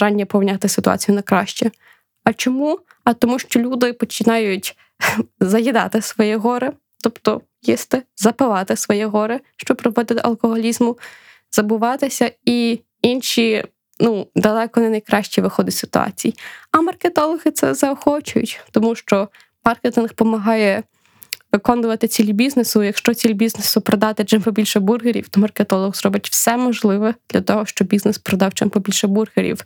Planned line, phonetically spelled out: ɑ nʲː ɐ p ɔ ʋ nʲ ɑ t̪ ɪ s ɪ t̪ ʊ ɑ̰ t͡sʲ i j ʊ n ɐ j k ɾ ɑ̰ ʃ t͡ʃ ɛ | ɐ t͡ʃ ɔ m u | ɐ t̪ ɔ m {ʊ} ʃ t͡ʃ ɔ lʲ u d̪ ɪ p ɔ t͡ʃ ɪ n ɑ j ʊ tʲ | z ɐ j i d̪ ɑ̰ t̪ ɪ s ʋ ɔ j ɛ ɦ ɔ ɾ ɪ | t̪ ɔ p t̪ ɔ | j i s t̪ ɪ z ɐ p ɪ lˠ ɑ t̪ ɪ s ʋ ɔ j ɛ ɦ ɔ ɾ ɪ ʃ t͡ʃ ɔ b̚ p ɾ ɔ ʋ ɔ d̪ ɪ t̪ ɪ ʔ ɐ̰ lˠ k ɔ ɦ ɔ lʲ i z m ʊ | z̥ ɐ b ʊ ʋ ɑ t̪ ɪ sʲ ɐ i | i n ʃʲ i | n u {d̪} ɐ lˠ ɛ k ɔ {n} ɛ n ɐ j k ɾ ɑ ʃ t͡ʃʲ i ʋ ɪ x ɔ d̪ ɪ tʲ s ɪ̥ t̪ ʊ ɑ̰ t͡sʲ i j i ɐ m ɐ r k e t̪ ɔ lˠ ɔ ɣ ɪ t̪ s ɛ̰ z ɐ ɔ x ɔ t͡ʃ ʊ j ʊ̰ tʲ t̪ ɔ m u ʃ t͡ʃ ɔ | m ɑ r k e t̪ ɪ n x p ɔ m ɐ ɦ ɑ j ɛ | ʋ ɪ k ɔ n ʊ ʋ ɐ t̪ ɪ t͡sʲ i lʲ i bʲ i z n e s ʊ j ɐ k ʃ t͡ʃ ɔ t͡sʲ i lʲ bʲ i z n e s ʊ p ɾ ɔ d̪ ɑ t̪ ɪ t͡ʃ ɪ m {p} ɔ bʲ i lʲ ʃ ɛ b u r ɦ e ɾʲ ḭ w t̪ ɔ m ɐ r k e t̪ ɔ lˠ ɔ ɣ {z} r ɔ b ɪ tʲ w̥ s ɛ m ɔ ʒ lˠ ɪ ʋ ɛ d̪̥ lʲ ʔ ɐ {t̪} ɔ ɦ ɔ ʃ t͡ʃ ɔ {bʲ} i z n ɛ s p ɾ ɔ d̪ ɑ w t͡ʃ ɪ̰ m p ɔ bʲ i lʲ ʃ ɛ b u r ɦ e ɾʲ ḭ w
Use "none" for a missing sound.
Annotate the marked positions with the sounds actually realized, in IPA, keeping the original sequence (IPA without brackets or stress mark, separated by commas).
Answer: u, d̪, n, p, z, t̪, bʲ